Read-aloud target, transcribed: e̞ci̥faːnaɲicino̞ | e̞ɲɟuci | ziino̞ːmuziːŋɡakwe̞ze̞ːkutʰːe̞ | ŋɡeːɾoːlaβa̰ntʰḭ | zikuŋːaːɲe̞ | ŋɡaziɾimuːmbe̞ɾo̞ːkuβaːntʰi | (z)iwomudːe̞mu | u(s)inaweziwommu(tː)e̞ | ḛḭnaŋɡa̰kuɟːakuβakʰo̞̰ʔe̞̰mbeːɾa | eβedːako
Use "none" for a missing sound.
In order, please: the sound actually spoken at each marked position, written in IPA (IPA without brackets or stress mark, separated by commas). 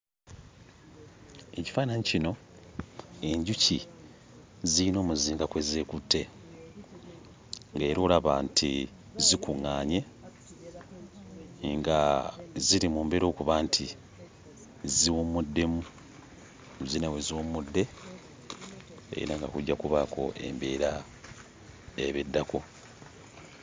z, z, dː